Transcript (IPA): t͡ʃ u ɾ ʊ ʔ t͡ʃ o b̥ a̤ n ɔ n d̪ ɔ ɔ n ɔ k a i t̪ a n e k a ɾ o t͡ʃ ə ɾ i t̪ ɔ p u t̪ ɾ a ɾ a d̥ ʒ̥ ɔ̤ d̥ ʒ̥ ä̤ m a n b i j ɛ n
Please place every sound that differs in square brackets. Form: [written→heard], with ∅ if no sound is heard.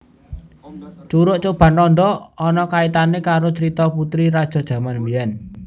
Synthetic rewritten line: t͡ʃ u ɾ ʊ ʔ t͡ʃ o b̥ a̤ n ɔ n d̪ ɔ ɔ n ɔ k a i t̪ a n e k a ɾ o t͡ʃ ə ɾ i t̪ ɔ p u t̪ ɾ [a→i] ɾ a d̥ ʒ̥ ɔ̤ d̥ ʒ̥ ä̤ m a n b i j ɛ n